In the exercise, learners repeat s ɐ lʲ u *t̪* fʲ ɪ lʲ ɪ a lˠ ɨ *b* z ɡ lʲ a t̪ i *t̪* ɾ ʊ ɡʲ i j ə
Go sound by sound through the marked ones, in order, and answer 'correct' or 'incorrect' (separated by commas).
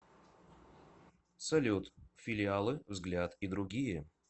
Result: correct, incorrect, incorrect